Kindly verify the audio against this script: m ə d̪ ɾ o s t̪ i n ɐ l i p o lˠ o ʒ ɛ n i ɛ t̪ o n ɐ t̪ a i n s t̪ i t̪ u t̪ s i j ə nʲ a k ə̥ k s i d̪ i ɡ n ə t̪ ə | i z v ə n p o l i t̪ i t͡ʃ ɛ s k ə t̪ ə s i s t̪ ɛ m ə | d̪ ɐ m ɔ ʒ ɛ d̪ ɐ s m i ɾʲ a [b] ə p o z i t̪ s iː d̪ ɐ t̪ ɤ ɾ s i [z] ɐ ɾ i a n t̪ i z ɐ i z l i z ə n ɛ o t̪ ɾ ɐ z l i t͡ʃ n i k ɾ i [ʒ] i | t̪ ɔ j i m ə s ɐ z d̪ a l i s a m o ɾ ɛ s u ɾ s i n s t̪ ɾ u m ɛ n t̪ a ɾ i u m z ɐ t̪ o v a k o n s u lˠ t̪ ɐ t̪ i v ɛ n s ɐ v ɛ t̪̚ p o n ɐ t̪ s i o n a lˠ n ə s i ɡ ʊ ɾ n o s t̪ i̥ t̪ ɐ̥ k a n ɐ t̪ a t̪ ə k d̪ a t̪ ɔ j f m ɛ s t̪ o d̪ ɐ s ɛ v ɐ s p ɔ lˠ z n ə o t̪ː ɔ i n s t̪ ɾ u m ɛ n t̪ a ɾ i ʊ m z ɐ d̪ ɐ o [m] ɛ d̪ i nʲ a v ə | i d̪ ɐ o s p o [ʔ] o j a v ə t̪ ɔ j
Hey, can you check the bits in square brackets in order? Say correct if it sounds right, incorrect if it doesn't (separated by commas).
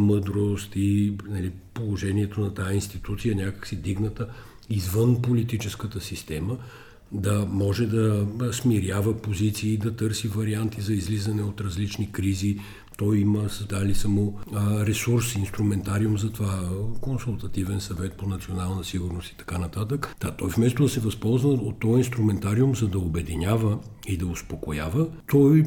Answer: incorrect, incorrect, incorrect, incorrect, incorrect